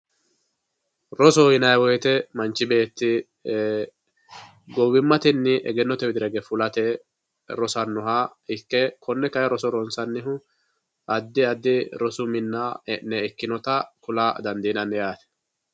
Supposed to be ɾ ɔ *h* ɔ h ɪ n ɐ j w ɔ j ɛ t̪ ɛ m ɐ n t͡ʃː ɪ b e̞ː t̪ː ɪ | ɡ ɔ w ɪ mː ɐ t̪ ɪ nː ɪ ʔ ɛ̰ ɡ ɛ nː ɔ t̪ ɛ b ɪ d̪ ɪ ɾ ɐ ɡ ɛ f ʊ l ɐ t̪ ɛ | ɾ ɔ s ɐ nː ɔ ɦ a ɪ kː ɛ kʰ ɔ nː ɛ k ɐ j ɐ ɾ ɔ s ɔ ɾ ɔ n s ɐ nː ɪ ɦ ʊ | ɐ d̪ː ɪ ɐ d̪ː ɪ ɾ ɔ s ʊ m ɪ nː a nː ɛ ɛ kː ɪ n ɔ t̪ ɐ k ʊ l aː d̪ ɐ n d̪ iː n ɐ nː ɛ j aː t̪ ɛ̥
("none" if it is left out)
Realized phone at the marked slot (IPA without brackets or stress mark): s